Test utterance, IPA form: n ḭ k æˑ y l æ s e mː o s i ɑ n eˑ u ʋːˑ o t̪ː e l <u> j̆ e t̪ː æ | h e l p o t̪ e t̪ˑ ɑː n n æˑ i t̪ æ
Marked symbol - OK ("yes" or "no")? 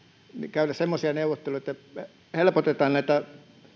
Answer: yes